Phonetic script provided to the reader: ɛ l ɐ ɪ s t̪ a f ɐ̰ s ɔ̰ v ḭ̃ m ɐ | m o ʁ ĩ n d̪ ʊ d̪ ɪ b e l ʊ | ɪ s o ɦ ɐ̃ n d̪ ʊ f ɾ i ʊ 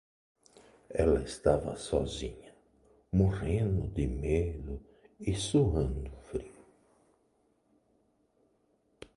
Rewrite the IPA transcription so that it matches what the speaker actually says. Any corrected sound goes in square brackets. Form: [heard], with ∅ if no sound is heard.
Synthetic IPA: ɛ l ɐ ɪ s t̪ a [v] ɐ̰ s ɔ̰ [z] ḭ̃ [ɲ] ɐ | m o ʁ [ẽ] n d̪ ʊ d̪ ɪ [m] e l ʊ | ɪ s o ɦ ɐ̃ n d̪ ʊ f ɾ i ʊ